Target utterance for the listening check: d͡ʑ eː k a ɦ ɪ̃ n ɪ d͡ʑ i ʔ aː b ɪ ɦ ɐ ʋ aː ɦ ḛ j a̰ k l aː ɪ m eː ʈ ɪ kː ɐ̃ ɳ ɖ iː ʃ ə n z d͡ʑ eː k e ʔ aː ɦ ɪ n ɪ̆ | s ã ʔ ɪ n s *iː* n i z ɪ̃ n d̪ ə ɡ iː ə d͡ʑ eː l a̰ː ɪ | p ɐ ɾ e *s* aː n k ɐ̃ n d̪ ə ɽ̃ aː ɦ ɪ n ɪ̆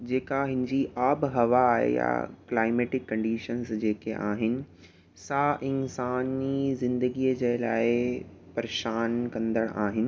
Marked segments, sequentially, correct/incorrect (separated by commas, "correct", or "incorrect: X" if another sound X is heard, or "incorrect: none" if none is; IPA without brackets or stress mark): incorrect: aː, incorrect: ʃ